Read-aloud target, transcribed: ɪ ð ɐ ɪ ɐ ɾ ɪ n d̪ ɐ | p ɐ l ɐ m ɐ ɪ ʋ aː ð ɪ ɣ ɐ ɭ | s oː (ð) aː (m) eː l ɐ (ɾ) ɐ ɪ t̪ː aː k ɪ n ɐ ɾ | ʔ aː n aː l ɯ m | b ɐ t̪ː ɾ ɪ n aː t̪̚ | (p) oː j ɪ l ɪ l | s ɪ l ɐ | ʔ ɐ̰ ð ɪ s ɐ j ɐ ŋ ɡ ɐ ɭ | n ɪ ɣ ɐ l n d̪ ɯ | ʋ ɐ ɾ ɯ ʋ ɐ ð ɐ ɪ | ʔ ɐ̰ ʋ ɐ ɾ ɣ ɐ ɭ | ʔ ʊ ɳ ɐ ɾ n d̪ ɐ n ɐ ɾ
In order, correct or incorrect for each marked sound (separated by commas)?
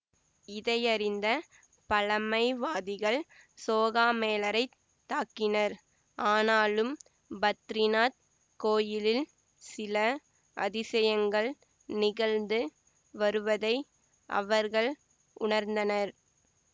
incorrect, correct, correct, incorrect